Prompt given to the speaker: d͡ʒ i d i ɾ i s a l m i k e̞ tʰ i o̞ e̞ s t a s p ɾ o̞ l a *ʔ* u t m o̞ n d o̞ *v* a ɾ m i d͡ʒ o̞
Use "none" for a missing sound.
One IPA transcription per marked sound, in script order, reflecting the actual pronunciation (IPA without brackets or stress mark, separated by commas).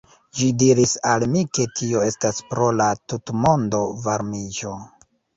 t, v